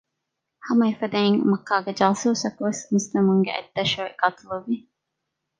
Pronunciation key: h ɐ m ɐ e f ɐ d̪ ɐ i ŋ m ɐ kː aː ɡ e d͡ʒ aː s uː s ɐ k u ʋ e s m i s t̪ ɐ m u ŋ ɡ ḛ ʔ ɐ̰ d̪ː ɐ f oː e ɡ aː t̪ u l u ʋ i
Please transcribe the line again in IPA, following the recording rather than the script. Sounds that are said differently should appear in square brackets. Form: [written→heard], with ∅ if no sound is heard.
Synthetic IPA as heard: h ɐ m ɐ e f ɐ d̪ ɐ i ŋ m ɐ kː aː ɡ e d͡ʒ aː s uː s ɐ k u ʋ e s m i s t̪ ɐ m u ŋ ɡ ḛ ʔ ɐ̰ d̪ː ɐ [f→ʃ] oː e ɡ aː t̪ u l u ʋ i